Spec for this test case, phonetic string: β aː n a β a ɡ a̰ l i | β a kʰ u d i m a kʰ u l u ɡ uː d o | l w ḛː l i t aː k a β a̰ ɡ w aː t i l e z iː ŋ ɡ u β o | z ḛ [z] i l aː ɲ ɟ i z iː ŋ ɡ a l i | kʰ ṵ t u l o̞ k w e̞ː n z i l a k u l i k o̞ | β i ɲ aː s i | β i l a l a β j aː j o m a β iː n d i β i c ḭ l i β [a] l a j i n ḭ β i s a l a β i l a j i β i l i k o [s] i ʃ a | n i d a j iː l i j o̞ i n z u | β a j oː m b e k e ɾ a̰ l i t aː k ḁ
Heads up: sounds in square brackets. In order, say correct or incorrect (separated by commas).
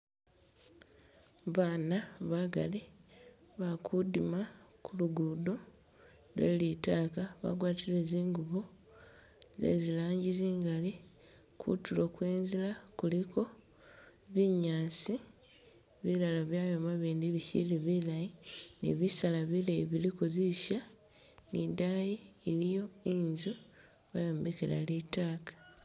correct, incorrect, incorrect